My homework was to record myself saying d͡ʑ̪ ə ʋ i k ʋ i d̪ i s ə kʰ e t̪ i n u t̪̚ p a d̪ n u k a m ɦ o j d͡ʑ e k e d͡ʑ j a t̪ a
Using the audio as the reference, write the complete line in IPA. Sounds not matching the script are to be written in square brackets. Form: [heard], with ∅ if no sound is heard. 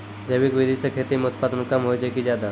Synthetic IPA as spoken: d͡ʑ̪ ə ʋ i k ʋ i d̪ i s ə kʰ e t̪ i [m] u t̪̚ p a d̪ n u k a m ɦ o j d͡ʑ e k [i] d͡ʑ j a [d̪] a